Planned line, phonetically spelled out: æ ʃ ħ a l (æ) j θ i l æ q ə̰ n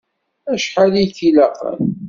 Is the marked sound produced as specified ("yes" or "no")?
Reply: no